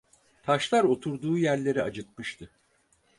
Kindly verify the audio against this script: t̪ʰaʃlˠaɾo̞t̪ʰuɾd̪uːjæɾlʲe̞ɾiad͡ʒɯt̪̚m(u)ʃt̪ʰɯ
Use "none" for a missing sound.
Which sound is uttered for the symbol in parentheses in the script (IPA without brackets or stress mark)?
ɯ